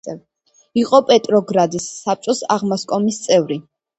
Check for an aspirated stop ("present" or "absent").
absent